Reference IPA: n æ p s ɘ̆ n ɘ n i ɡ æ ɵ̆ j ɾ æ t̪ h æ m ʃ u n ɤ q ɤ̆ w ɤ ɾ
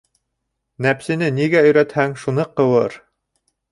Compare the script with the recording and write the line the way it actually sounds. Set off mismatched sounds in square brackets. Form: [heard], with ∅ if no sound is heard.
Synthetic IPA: n æ p s ɘ̆ n ɘ n i ɡ æ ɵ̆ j ɾ æ t̪ h æ [ŋ] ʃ u n ɤ q ɤ̆ w ɤ ɾ